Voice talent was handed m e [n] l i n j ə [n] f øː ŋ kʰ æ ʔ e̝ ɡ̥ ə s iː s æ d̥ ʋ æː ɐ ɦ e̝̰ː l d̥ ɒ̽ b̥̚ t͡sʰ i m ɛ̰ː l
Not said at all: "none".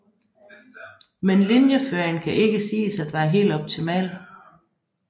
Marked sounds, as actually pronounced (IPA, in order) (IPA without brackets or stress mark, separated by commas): n, none